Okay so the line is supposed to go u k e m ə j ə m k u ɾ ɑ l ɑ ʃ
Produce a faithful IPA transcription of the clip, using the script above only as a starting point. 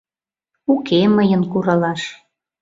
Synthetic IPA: u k e m ə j ə n k u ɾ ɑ l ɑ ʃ